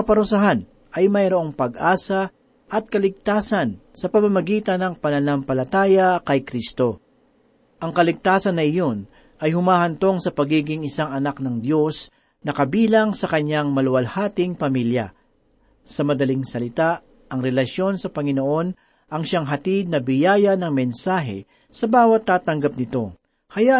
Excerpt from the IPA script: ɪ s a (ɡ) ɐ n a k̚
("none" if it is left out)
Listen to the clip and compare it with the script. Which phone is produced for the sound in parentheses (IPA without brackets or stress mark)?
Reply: ŋ